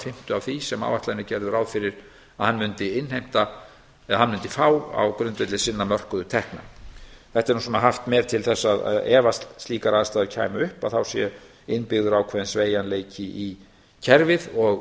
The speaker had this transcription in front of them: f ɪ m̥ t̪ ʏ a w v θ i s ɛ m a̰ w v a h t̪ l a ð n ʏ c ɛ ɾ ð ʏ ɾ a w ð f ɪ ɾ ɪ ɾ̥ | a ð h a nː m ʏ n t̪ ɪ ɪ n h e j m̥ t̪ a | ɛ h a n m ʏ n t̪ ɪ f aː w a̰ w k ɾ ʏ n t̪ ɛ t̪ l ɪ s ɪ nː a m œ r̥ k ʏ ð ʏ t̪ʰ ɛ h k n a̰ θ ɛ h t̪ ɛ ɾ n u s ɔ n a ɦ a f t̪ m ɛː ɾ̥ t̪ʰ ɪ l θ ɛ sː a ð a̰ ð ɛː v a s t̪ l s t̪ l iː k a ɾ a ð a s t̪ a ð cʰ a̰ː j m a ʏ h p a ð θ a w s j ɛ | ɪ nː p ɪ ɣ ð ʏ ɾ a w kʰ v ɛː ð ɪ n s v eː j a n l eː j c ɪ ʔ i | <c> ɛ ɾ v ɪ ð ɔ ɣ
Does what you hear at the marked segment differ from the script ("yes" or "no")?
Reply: yes